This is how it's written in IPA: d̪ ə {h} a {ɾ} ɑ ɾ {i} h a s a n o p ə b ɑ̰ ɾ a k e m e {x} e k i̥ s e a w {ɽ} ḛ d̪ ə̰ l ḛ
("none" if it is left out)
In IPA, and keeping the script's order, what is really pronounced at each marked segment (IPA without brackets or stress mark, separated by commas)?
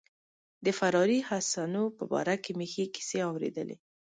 f, ɾ, i, x, ɾ